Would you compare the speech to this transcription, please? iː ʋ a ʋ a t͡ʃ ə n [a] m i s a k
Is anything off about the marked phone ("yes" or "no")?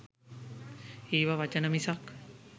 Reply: yes